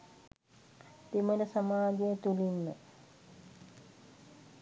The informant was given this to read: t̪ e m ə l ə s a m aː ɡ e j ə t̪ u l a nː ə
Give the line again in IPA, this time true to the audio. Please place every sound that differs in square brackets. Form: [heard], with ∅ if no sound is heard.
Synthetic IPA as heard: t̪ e m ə l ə s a m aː ɡ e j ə t̪ u l [i] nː ə